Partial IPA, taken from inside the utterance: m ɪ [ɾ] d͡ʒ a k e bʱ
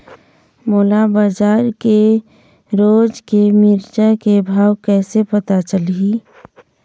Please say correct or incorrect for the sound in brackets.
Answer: correct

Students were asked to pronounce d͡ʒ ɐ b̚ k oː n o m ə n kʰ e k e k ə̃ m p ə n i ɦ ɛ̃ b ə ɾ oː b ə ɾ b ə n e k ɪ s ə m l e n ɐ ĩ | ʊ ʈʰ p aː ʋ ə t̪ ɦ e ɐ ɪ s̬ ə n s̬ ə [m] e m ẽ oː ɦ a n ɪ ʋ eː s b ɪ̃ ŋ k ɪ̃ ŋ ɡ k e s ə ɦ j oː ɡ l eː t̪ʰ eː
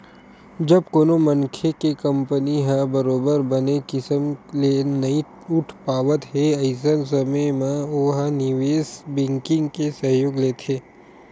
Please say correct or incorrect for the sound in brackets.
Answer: correct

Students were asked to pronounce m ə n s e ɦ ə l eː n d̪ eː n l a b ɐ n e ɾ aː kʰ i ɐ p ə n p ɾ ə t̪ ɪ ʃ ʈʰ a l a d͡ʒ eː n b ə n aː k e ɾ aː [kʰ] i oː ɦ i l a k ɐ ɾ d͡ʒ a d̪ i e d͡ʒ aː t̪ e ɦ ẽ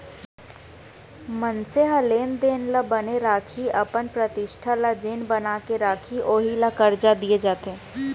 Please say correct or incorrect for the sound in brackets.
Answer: correct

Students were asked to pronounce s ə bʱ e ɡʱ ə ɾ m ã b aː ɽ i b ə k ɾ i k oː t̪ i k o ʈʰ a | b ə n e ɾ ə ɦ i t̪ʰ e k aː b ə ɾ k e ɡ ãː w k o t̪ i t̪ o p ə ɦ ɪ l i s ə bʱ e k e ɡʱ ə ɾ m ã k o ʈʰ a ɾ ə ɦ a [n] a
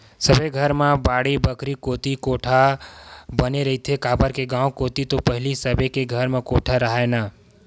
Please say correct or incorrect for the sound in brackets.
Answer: correct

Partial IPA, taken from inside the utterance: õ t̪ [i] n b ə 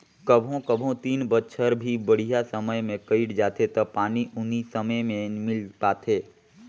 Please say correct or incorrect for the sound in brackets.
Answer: incorrect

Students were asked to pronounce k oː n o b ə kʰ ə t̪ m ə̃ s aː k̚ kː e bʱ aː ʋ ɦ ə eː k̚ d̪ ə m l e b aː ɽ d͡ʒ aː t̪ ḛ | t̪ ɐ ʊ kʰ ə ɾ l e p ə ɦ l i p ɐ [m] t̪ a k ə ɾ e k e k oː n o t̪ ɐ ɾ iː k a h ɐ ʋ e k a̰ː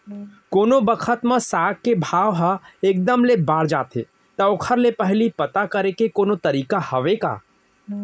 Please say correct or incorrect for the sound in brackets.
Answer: incorrect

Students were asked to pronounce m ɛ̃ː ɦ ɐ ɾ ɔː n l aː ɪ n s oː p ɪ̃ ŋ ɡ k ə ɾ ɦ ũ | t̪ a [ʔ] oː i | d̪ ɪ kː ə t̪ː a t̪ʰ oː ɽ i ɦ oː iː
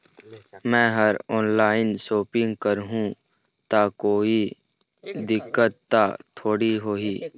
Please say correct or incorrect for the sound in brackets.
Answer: incorrect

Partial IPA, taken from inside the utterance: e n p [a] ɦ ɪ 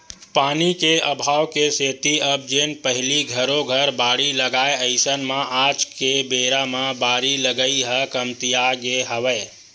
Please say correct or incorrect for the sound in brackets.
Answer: incorrect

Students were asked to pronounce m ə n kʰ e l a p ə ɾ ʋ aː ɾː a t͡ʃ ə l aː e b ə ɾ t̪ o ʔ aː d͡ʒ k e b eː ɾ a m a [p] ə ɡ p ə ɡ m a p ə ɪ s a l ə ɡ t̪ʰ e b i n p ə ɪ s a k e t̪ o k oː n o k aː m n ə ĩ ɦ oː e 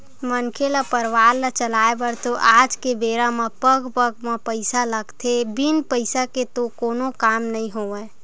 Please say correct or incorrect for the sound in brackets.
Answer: correct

